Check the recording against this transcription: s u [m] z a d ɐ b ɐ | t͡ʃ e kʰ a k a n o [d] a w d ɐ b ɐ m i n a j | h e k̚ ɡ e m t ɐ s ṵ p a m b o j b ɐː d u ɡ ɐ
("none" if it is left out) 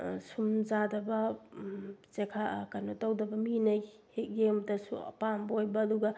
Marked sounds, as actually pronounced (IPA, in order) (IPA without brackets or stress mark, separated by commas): m, t